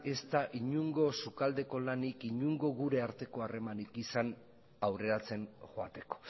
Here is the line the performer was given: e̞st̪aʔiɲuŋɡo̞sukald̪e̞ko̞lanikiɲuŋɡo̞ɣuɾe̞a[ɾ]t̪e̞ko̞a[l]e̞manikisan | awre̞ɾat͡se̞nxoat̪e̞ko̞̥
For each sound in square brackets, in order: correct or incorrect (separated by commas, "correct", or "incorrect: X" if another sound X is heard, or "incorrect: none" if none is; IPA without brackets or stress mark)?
correct, incorrect: r